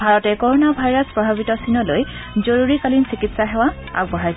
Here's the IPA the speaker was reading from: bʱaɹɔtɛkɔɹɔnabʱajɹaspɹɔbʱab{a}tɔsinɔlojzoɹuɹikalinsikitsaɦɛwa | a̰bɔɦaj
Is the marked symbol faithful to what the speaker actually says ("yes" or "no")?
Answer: no